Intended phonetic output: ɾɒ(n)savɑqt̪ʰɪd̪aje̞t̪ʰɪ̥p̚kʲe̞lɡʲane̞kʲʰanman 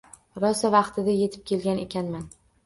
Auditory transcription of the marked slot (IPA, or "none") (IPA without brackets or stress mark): none